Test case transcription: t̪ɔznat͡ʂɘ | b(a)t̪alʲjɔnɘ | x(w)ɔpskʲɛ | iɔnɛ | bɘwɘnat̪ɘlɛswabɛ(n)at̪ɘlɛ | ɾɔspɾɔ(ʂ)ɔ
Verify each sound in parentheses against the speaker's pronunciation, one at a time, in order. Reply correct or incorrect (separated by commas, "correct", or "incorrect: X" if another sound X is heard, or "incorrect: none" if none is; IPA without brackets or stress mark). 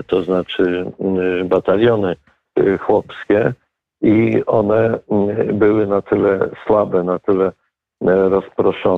correct, correct, correct, correct